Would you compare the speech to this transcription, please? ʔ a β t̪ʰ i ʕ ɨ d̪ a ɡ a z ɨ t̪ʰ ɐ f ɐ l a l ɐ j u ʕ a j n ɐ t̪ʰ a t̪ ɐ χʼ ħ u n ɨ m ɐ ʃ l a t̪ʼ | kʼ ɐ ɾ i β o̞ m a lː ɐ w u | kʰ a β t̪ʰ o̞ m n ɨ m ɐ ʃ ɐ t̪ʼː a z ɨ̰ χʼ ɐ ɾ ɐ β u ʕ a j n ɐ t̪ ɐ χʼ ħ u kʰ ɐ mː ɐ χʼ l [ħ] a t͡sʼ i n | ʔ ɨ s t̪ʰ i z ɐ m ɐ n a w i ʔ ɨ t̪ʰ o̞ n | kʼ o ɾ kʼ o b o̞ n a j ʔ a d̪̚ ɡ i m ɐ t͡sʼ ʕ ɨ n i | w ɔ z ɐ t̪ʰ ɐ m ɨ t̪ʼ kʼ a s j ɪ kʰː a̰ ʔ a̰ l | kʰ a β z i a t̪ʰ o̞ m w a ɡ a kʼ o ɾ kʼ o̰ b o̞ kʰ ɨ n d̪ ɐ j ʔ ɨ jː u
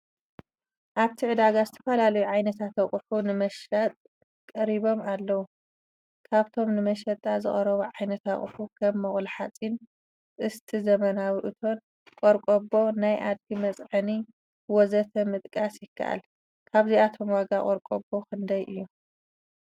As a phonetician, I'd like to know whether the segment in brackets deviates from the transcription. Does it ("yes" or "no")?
no